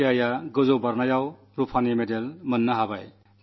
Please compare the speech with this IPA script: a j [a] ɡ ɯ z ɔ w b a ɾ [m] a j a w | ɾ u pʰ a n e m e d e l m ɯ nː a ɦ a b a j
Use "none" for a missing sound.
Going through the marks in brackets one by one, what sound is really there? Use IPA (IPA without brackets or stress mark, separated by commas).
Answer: a, n